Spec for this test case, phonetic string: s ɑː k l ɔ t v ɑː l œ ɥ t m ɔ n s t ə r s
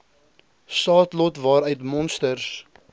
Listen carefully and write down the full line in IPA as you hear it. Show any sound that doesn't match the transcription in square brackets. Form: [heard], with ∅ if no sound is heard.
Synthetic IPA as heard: s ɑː [t] l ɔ t v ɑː [ɾ] œ ɥ t m ɔ n s t ə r s